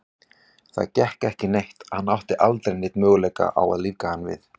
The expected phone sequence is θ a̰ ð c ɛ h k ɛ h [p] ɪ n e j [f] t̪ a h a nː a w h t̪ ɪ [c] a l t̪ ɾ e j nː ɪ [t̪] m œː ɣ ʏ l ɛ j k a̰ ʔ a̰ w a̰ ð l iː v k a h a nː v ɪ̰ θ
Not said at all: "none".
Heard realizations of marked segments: c, h, ʔ, t̪

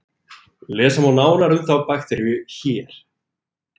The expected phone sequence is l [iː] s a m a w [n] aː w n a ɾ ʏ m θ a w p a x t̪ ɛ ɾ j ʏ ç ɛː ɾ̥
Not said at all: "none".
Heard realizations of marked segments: ɛː, n

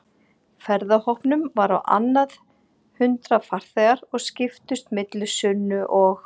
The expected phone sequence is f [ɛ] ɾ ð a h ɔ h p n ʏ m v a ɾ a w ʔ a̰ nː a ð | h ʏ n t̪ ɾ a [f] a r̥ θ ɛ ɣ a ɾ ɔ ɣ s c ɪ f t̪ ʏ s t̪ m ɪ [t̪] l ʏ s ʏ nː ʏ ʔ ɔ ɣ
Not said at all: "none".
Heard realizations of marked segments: ɛ, f, t̪

